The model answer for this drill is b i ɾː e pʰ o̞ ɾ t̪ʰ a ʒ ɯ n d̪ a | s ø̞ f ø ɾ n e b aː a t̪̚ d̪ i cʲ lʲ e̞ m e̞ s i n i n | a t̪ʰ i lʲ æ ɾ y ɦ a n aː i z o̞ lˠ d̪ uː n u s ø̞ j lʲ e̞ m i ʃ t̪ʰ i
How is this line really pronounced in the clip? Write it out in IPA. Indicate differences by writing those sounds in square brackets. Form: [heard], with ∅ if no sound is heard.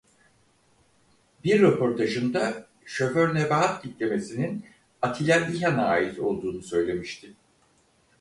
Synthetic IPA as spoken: b i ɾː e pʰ o̞ ɾ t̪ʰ a ʒ ɯ n d̪ a | [ʃ] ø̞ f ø ɾ n e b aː a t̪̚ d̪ i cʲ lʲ e̞ m e̞ s i n i n | a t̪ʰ i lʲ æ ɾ [i] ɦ a n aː i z o̞ lˠ d̪ uː n u s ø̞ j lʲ e̞ m i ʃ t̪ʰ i